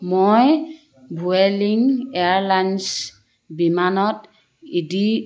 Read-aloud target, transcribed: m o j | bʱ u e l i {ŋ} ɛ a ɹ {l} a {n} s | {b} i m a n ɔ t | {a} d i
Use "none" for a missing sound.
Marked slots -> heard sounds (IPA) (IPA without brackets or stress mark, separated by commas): ŋ, l, n, b, i